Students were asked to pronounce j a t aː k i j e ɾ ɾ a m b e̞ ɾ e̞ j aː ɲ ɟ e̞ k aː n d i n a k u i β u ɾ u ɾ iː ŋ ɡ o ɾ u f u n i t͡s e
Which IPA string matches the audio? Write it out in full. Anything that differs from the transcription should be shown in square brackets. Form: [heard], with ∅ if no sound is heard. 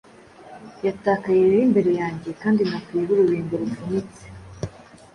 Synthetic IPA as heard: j a t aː k [a] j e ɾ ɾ [i] m b e̞ ɾ e̞ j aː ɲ ɟ e̞ k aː n d i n a k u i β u ɾ u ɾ iː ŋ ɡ o ɾ u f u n i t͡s e